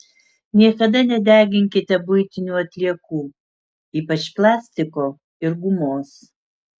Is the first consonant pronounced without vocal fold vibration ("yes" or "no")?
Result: no